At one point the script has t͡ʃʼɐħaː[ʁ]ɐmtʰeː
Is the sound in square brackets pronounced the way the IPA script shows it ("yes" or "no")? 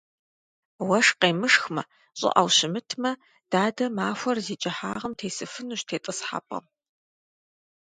yes